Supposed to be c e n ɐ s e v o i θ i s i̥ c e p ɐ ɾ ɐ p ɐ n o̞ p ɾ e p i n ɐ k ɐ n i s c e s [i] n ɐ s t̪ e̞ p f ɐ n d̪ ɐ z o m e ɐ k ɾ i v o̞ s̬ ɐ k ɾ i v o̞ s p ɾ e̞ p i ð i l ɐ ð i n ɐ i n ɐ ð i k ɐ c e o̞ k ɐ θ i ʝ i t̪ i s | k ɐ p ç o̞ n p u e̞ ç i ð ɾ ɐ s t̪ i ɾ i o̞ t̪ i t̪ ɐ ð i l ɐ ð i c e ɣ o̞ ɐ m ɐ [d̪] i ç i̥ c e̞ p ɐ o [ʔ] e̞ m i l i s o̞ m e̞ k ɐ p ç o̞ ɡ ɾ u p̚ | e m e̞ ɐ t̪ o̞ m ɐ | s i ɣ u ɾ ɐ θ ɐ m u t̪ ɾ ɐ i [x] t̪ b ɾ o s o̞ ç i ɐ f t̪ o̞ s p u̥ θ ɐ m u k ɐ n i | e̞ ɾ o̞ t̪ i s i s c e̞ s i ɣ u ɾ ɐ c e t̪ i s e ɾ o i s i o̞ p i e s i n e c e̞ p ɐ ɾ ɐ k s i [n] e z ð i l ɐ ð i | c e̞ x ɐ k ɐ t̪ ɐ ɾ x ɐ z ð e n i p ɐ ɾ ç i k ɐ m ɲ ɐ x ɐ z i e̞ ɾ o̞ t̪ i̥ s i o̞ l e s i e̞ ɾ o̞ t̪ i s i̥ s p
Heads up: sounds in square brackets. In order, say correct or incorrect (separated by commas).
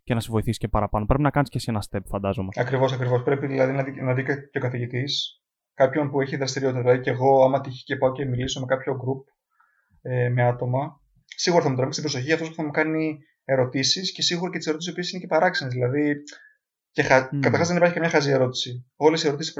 incorrect, incorrect, incorrect, incorrect, correct